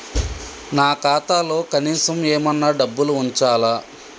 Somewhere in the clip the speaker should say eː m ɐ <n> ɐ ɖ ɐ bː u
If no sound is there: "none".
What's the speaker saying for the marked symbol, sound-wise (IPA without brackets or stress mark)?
nː